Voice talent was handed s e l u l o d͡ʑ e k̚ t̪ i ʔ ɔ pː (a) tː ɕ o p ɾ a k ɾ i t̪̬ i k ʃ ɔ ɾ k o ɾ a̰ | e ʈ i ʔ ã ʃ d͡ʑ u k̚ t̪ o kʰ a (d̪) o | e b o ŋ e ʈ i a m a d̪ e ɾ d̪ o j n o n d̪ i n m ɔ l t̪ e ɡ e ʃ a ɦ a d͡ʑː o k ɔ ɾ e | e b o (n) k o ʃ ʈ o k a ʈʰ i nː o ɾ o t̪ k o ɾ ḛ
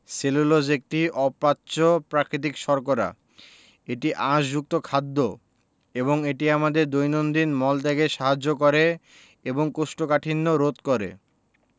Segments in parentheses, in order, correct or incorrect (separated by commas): correct, incorrect, incorrect